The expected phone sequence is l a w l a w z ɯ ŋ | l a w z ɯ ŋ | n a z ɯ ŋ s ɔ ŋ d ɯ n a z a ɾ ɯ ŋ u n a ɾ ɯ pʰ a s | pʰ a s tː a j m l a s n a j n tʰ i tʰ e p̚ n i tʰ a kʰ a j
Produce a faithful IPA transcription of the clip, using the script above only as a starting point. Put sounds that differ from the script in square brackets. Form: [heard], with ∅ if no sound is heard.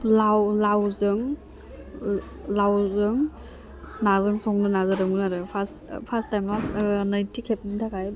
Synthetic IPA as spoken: l a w l a w z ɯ ŋ | l a w z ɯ ŋ | n a z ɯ ŋ s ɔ ŋ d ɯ n a z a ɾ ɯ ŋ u n a ɾ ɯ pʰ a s | pʰ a s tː a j m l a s n a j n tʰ i [kʰ] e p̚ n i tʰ a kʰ a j

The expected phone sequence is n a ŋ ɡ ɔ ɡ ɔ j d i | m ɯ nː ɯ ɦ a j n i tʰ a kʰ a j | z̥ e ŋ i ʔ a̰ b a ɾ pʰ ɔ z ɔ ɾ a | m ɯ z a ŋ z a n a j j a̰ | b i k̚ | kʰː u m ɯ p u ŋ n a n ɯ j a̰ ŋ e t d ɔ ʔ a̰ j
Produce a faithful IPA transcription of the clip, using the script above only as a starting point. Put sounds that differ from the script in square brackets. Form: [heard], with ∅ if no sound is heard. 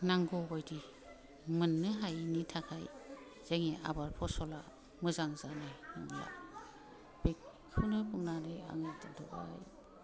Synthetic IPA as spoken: n a ŋ ɡ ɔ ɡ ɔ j d i | m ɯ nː ɯ ɦ a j n i tʰ a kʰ a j | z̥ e ŋ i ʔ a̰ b a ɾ pʰ ɔ [s] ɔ [l] a | m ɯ z a ŋ z a n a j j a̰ | b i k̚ | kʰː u [n] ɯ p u ŋ n a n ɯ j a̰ ŋ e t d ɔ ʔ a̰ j

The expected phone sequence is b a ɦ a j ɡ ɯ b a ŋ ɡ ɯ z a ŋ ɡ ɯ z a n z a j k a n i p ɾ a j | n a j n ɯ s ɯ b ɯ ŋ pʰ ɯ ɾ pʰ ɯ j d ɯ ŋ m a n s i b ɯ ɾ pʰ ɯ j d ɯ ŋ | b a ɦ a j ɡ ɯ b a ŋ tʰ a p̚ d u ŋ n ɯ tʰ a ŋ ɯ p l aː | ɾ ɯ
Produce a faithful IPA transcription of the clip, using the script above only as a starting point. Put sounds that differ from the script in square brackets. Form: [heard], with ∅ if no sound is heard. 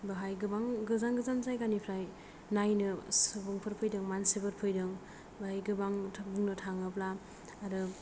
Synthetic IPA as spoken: b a ɦ a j ɡ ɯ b a ŋ ɡ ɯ z a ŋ ɡ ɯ z a n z a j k a n i [pʰ] ɾ a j | n a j n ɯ s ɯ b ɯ ŋ pʰ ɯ ɾ pʰ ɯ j d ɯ ŋ m a n s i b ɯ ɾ pʰ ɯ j d ɯ ŋ | b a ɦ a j ɡ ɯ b a ŋ tʰ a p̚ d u ŋ n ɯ tʰ a ŋ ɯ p l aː | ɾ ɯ

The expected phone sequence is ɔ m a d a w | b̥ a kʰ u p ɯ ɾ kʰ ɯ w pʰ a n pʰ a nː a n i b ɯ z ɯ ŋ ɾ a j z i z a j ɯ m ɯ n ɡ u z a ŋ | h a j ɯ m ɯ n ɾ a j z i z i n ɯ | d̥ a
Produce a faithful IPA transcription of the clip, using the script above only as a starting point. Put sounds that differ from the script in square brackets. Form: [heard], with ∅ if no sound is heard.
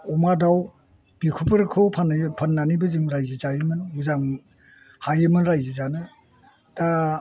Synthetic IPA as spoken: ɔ m a d a w | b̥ [i] kʰ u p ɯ ɾ kʰ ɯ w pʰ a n pʰ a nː a n i b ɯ z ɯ ŋ ɾ a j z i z a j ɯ m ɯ n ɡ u z a ŋ | h a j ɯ m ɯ n ɾ a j z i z [a] n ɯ | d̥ a

